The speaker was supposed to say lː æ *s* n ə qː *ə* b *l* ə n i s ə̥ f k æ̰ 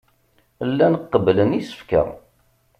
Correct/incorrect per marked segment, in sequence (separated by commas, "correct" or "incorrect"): incorrect, correct, correct